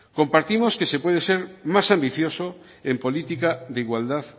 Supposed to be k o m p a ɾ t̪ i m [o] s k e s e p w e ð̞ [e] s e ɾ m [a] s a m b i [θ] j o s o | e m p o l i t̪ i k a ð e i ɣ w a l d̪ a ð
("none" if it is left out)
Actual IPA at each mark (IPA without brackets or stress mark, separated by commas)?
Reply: o, e, a, θ